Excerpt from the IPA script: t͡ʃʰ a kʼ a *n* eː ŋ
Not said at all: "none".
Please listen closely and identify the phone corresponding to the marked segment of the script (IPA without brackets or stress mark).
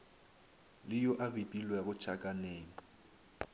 n